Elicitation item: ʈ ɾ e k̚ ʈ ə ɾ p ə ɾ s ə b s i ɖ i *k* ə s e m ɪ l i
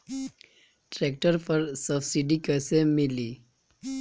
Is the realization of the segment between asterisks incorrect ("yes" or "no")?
no